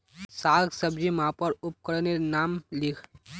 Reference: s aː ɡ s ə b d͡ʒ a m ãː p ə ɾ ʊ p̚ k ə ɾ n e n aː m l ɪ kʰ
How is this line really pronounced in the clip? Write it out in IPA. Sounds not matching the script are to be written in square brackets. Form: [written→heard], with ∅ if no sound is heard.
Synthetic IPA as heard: s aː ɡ s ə b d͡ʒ [a→i] m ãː p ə ɾ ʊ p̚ k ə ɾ n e n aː m l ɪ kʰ